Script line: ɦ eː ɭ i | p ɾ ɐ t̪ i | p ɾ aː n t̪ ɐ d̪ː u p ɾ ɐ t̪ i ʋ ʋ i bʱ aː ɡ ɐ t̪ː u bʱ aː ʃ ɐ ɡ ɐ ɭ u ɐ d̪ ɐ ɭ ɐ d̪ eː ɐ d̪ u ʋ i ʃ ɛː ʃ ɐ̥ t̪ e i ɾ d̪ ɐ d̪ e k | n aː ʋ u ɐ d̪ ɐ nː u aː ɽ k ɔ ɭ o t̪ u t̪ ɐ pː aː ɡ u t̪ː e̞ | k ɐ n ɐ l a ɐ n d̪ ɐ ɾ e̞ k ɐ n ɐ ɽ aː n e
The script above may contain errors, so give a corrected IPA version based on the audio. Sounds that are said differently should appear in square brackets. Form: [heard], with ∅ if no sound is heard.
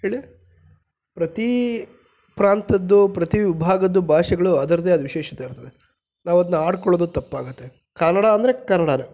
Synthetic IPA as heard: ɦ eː ɭ i | p ɾ ɐ t̪ i | p ɾ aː n t̪ ɐ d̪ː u p ɾ ɐ t̪ i ʋ ʋ i bʱ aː ɡ ɐ [d̪ː] u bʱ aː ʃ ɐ ɡ ɐ ɭ u ɐ d̪ ɐ [ɾ] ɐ d̪ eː ɐ d̪ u ʋ i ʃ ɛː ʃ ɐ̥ t̪ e i ɾ [t̪] ɐ d̪ e [∅] | n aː ʋ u ɐ d̪ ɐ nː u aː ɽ k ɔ ɭ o [d̪] u t̪ ɐ pː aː ɡ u t̪ː e̞ | k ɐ n ɐ [ɽ] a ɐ n d̪ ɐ ɾ e̞ k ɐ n ɐ ɽ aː n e